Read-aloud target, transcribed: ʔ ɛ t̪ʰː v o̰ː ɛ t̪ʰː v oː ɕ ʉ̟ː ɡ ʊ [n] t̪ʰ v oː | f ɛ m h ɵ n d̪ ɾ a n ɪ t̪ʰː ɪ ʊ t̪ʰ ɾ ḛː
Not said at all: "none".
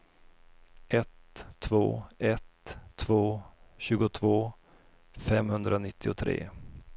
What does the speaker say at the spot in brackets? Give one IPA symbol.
none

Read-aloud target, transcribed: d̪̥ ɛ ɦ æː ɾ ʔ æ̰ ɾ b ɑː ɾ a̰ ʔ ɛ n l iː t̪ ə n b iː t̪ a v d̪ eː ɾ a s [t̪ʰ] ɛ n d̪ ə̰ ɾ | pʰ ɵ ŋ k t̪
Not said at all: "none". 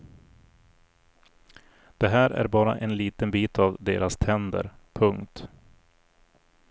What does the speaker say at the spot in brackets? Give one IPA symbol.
t̪ʰ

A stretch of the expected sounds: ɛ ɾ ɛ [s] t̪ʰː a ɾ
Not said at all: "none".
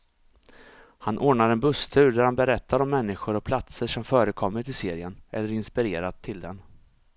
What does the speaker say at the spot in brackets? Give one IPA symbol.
none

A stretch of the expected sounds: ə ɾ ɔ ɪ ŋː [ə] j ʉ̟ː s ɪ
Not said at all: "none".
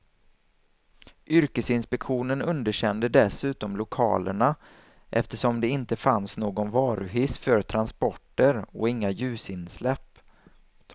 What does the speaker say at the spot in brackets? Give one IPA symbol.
a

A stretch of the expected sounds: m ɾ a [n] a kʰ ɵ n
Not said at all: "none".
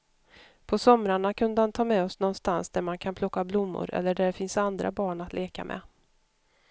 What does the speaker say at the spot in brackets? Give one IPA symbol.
ɳ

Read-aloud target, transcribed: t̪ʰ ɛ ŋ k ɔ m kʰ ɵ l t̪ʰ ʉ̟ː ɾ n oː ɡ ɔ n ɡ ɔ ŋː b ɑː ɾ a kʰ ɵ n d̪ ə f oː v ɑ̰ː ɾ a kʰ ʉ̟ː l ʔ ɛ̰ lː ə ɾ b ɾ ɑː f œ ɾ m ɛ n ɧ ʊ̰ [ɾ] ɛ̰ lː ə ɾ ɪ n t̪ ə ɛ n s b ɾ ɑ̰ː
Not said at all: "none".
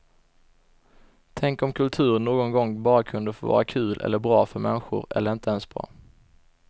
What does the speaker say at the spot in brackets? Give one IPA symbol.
ɾ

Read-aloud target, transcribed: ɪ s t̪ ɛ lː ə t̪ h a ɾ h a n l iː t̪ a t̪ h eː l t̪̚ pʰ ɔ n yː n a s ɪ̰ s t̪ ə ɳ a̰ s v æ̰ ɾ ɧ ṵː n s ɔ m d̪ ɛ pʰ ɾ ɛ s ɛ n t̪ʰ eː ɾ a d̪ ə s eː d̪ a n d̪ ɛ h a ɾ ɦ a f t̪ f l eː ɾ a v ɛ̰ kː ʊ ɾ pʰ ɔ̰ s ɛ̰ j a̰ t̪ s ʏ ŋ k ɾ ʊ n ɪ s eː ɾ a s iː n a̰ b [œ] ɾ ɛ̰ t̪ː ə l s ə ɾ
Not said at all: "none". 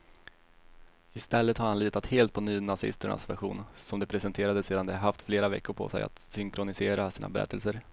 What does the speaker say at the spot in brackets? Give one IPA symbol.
ɛ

